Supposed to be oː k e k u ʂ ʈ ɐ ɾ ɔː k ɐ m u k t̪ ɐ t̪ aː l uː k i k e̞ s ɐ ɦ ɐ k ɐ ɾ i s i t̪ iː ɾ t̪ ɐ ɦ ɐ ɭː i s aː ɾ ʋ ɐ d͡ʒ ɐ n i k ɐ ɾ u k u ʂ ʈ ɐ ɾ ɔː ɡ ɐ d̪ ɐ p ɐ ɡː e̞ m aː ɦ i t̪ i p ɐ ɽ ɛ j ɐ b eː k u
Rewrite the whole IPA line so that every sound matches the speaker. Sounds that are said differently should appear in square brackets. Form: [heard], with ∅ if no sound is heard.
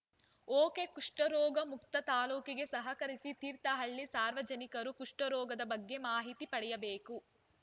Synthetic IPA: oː k e k u ʂ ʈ ɐ ɾ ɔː [ɡ] ɐ m u k t̪ ɐ t̪ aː l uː k i [ɡ] e̞ s ɐ ɦ ɐ k ɐ ɾ i s i t̪ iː ɾ t̪ ɐ ɦ ɐ ɭː i s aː ɾ ʋ ɐ d͡ʒ ɐ n i k ɐ ɾ u k u ʂ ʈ ɐ ɾ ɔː ɡ ɐ d̪ ɐ [b] ɐ ɡː e̞ m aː ɦ i t̪ i p ɐ ɽ ɛ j ɐ b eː k u

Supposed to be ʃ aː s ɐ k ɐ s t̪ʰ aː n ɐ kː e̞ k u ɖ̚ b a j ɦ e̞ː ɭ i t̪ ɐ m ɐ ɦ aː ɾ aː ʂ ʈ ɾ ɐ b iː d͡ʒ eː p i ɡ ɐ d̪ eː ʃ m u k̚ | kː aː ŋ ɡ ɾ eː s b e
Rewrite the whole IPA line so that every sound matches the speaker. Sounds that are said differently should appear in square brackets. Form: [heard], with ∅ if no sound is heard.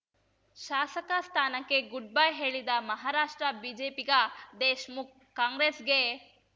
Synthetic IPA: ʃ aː s ɐ k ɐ s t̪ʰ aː n ɐ kː e̞ [ɡ] u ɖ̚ b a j ɦ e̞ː ɭ i [d̪] ɐ m ɐ ɦ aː ɾ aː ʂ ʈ ɾ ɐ b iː d͡ʒ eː p i ɡ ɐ d̪ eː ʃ m u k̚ | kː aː ŋ ɡ ɾ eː s [ɡ] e

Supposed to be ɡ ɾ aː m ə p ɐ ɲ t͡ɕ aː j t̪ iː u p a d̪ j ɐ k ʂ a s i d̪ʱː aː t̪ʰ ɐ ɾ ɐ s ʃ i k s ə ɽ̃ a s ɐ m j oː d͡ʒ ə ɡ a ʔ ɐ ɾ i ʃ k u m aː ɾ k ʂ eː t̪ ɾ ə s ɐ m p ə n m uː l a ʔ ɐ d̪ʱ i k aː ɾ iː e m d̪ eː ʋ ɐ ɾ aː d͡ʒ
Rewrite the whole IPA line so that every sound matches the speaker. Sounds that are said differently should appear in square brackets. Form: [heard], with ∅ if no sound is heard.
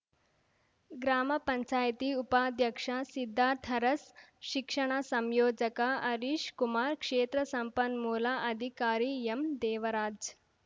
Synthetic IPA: ɡ ɾ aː m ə p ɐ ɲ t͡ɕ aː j t̪ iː u p a d̪ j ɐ k ʂ a s i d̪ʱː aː t̪ʰ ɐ ɾ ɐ s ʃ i k [ʂ] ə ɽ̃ a s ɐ m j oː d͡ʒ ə [k] a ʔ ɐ ɾ i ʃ k u m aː ɾ k ʂ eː t̪ ɾ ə s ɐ m p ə n m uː l a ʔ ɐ d̪ʱ i k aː ɾ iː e m d̪ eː ʋ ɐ ɾ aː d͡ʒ

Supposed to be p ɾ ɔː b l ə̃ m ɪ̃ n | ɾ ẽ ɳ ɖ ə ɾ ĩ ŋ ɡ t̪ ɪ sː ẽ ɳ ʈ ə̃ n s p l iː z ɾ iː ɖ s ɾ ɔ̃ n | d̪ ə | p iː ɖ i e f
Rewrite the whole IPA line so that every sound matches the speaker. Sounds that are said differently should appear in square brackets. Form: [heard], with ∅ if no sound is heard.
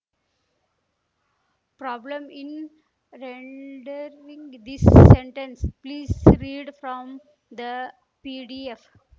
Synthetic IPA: p ɾ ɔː b l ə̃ m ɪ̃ n | ɾ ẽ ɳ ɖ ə ɾ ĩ ŋ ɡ [d̪] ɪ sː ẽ ɳ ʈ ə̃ n s p l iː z ɾ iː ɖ [f] ɾ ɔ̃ [m] | d̪ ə | p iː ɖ i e f

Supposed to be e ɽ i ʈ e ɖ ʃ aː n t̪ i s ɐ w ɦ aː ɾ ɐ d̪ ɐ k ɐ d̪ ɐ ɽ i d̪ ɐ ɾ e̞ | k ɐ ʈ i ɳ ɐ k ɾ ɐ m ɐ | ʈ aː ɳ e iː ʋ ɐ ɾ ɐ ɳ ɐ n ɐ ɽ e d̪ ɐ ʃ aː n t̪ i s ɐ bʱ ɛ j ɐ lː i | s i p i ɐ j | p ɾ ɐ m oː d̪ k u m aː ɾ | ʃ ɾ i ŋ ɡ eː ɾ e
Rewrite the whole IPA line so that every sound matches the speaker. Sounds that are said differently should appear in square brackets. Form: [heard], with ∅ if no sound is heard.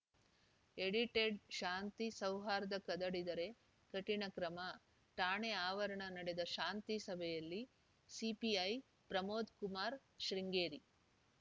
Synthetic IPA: e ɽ i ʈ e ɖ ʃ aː n t̪ i s ɐ w ɦ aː ɾ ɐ d̪ ɐ k ɐ d̪ ɐ ɽ i d̪ ɐ ɾ e̞ | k ɐ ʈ i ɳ ɐ k ɾ ɐ m ɐ | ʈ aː ɳ e [aː] ʋ ɐ ɾ ɐ ɳ ɐ n ɐ ɽ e d̪ ɐ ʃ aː n t̪ i s ɐ bʱ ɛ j ɐ lː i | s i p i ɐ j | p ɾ ɐ m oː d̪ k u m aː ɾ | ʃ ɾ i ŋ ɡ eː ɾ [i]

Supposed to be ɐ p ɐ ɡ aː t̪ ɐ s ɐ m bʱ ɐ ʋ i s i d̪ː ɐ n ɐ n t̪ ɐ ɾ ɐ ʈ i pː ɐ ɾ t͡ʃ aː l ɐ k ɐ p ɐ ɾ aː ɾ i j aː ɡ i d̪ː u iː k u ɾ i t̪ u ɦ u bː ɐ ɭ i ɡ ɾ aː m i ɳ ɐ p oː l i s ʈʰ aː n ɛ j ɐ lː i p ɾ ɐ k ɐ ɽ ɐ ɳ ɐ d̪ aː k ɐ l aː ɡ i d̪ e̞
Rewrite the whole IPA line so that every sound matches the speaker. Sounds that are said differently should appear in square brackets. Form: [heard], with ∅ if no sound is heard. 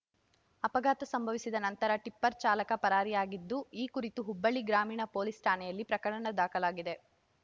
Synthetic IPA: ɐ p ɐ ɡ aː t̪ ɐ s ɐ m bʱ ɐ ʋ i s i [d̪] ɐ n ɐ n t̪ ɐ ɾ ɐ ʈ i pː ɐ ɾ t͡ʃ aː l ɐ k ɐ p ɐ ɾ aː ɾ i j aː ɡ i d̪ː u iː k u ɾ i t̪ u ɦ u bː ɐ ɭ i ɡ ɾ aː m [iː] ɳ ɐ p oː l i s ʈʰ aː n ɛ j ɐ lː i p ɾ ɐ k ɐ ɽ ɐ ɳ ɐ d̪ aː k ɐ l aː ɡ i d̪ e̞

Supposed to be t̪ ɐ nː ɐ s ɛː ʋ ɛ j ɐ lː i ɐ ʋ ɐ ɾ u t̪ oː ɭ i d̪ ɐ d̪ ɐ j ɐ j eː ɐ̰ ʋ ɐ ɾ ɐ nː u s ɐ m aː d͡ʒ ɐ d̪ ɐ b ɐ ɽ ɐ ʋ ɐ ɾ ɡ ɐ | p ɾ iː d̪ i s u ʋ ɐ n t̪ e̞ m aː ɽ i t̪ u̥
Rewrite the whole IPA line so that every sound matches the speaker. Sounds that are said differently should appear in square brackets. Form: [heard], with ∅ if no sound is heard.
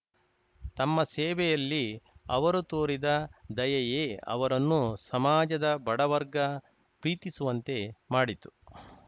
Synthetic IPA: t̪ ɐ [mː] ɐ s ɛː ʋ ɛ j ɐ lː i ɐ ʋ ɐ ɾ u t̪ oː [ɾ] i d̪ ɐ d̪ ɐ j ɐ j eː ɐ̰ ʋ ɐ ɾ ɐ nː u s ɐ m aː d͡ʒ ɐ d̪ ɐ b ɐ ɽ ɐ ʋ ɐ ɾ ɡ ɐ | p ɾ iː [t̪] i s u ʋ ɐ n t̪ e̞ m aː ɽ i t̪ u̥

